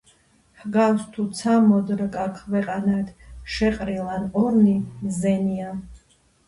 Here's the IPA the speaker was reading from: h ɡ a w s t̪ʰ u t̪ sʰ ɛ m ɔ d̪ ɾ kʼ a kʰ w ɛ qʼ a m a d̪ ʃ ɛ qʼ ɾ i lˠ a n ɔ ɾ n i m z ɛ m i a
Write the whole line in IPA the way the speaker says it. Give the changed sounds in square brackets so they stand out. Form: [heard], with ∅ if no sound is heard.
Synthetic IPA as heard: h ɡ a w s t̪ʰ u t̪ sʰ [a] m ɔ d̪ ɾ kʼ a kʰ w ɛ qʼ a [n] a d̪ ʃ ɛ qʼ ɾ i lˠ a n ɔ ɾ n i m z ɛ [n] i a